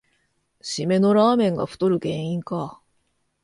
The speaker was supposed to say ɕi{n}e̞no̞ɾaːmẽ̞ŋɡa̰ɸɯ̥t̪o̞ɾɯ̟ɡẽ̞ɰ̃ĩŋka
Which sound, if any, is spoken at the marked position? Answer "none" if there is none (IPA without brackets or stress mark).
m